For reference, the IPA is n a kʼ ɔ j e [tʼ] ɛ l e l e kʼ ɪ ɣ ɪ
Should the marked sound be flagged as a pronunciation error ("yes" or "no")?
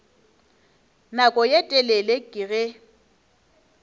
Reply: no